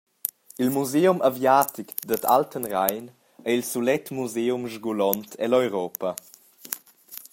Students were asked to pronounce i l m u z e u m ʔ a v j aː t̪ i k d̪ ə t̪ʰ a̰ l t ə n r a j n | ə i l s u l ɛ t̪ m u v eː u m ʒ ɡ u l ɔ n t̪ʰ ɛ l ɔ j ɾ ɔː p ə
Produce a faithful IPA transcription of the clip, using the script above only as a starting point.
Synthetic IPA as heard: i l m u z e u m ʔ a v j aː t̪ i k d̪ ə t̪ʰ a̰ l t ə n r a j n | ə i l s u l ɛ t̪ m u z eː u m ʒ ɡ u l ɔ n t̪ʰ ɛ l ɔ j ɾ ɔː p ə